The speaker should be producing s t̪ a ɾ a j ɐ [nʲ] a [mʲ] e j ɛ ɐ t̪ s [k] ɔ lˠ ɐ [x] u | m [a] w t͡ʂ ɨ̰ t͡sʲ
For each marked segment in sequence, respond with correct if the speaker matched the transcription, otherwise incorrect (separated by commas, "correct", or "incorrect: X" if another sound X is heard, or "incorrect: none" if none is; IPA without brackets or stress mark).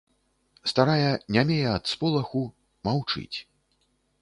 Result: correct, correct, incorrect: p, correct, correct